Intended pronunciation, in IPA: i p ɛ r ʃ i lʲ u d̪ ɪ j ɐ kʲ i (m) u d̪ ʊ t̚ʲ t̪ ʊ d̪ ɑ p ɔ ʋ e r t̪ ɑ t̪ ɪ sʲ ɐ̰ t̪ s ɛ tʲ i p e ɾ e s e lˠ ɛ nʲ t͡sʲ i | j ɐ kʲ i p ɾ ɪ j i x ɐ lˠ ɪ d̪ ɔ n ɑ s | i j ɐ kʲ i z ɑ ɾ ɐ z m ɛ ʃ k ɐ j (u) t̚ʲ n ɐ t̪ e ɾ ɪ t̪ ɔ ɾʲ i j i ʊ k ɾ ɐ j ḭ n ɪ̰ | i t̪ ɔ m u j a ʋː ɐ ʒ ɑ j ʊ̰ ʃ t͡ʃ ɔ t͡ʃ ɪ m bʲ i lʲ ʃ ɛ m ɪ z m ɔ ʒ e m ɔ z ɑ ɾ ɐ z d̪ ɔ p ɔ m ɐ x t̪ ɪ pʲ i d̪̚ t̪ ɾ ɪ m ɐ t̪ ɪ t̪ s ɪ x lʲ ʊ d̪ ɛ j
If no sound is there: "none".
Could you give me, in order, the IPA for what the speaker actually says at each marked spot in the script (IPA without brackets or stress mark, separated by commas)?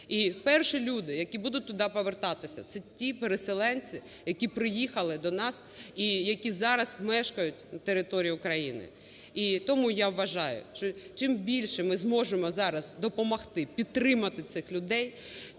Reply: b, ʊ